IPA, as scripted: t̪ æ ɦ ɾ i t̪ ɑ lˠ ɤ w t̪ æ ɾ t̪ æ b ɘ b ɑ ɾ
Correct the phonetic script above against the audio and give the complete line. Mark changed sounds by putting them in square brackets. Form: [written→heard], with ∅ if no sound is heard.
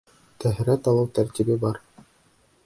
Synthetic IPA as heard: t̪ æ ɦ ɾ [i→æ] t̪ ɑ lˠ ɤ w t̪ æ ɾ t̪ [æ→i] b ɘ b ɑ ɾ

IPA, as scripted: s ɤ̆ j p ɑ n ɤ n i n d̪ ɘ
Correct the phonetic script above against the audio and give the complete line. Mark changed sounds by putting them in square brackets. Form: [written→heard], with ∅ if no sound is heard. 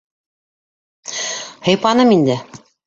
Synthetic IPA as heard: [s→h] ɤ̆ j p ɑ n ɤ [n→m] i n d̪ ɘ

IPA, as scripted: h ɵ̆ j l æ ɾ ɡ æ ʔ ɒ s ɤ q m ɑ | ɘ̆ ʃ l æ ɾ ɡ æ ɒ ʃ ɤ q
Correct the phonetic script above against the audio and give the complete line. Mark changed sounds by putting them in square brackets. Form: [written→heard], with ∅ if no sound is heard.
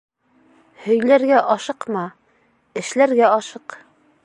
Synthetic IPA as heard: h ɵ̆ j l æ ɾ ɡ æ ʔ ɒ [s→ʃ] ɤ q m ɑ | ɘ̆ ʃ l æ ɾ ɡ æ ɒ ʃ ɤ q

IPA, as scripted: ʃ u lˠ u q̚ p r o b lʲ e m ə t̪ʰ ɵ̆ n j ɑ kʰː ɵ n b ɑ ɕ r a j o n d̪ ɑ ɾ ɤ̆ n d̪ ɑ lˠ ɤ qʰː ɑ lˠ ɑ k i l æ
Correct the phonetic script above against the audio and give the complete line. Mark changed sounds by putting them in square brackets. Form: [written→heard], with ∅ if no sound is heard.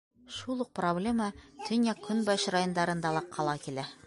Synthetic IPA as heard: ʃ u lˠ u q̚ p r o b lʲ e m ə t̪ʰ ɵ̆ n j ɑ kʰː ɵ n b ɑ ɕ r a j o n d̪ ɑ ɾ ɤ̆ n d̪ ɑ lˠ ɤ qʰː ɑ lˠ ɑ k i l æ

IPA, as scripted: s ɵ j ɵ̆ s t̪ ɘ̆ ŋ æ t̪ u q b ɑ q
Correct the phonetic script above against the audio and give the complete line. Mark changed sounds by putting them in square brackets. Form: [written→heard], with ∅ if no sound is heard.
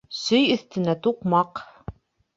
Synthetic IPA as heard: s ɵ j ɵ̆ [s→θ] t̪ ɘ̆ [ŋ→n] æ t̪ u q [b→m] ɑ q

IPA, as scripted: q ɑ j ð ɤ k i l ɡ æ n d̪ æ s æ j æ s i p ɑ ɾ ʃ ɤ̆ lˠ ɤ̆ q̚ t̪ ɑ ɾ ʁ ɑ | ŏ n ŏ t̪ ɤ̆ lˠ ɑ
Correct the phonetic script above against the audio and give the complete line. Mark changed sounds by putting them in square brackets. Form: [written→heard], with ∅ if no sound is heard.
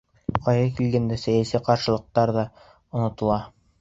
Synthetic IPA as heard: q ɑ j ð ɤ k i l ɡ æ n d̪ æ s æ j æ s i [p→q] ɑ ɾ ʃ ɤ̆ lˠ ɤ̆ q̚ t̪ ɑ ɾ [ʁ→ð] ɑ | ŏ n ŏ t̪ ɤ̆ lˠ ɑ

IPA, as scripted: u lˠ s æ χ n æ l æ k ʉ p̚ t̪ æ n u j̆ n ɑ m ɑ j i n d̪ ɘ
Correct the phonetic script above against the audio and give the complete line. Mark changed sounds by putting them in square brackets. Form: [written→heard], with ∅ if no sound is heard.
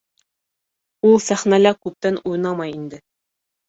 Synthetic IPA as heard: u lˠ s æ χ n æ l æ k ʉ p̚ t̪ æ n u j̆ n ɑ m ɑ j i n d̪ ɘ

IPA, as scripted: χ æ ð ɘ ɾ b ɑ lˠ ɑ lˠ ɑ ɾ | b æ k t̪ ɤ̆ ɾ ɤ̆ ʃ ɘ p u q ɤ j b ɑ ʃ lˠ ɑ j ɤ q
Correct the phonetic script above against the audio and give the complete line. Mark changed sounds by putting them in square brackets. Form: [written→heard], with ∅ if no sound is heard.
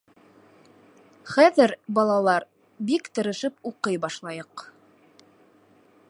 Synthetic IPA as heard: χ æ ð ɘ ɾ b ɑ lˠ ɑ lˠ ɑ ɾ | b [æ→i] k t̪ ɤ̆ ɾ ɤ̆ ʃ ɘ p u q ɤ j b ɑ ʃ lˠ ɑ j ɤ q

